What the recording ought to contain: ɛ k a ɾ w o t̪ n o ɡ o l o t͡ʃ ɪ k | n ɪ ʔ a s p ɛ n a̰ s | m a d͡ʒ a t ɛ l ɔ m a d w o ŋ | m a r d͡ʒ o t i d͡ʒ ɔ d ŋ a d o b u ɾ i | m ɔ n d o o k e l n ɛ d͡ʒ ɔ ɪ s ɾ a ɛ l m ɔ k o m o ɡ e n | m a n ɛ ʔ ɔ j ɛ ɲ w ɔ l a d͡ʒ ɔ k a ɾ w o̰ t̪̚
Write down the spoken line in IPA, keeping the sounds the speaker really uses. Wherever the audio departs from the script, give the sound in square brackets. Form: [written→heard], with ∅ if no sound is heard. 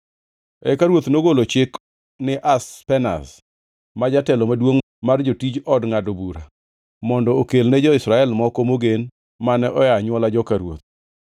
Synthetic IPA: ɛ k a ɾ w o t̪ n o ɡ o l o t͡ʃ ɪ k | n ɪ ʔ a s p ɛ n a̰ s | m a d͡ʒ a t ɛ l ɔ m a d w o ŋ | m a r d͡ʒ o t i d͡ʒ ɔ d ŋ a d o b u ɾ [i→a] | m ɔ n d [o→ɔ] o k e l n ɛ d͡ʒ ɔ ɪ s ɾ a ɛ l m ɔ k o m o ɡ e n | m a n ɛ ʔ ɔ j [ɛ→a] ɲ w ɔ l a d͡ʒ ɔ k a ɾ w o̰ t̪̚